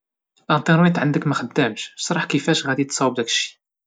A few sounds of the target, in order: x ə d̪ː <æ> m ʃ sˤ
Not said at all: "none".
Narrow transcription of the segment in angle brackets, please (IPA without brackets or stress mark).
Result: æ